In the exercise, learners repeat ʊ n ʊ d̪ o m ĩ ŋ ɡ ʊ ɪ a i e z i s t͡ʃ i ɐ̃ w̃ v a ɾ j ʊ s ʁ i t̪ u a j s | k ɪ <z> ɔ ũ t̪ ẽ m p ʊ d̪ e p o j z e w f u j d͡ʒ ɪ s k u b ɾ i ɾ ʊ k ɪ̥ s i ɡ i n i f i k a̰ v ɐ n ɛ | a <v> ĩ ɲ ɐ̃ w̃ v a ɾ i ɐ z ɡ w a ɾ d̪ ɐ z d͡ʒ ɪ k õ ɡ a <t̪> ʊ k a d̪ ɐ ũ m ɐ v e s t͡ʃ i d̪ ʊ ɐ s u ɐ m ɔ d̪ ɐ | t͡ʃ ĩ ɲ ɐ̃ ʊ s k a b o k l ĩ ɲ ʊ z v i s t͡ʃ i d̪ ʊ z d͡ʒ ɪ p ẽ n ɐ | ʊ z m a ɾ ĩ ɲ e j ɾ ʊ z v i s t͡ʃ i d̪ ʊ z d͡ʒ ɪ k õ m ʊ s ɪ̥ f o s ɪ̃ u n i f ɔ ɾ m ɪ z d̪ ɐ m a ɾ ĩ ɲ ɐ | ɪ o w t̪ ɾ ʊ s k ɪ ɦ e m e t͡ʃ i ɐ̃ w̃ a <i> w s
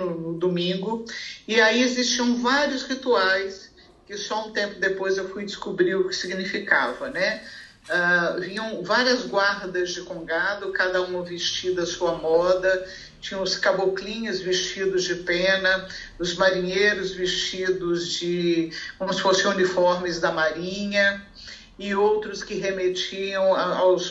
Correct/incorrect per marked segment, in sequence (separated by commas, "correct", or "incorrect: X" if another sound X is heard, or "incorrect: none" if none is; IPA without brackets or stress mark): incorrect: s, correct, incorrect: d̪, incorrect: a